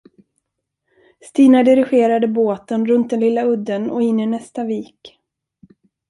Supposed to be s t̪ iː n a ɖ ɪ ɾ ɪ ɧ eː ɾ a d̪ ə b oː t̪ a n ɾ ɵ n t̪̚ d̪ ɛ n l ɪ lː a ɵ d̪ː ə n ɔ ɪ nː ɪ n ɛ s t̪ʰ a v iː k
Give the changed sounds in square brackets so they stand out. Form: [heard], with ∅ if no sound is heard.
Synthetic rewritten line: s t̪ iː n a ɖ ɪ ɾ ɪ ɧ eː ɾ a d̪ ə b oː t̪ [ə] n ɾ ɵ n t̪̚ d̪ ɛ n l ɪ lː a ɵ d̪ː ə n ɔ ɪ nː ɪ n ɛ s [t̪] a v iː k